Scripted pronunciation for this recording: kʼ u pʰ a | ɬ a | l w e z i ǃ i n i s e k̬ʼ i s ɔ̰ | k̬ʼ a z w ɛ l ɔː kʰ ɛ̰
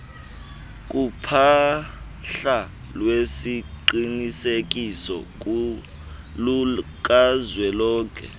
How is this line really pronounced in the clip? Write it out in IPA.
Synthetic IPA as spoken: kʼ u pʰ a | ɬ a | l w e s i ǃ i n i s e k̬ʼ i s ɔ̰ | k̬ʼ a z w ɛ l ɔː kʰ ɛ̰